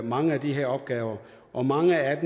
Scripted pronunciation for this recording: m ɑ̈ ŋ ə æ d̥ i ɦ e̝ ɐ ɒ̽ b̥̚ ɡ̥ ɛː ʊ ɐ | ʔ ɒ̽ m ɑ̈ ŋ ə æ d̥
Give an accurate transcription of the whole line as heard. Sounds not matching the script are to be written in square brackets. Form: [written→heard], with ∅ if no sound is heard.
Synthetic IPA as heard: m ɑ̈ ŋ ə æ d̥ i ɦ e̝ ɐ ɒ̽ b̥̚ ɡ̥ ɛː ʊ ɐ | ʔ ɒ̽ m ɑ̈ ŋ ə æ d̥